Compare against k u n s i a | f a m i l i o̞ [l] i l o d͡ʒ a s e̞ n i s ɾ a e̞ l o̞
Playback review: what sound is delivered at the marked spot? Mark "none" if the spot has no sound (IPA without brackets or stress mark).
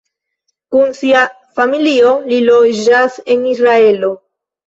l